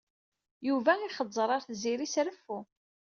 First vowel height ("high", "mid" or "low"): high